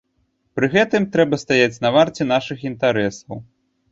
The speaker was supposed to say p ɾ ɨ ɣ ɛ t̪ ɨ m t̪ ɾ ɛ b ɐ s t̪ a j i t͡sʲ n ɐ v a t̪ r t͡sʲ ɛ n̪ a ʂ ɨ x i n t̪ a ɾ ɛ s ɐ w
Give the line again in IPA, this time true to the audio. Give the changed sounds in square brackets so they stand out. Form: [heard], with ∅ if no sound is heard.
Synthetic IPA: p ɾ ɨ ɣ ɛ t̪ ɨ m t̪ ɾ ɛ b ɐ s t̪ a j [a] t͡sʲ n ɐ v a [∅] r t͡sʲ ɛ n̪ a ʂ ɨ x i n t̪ a ɾ ɛ s ɐ w